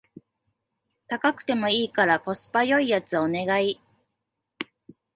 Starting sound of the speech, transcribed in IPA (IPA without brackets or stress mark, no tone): t̪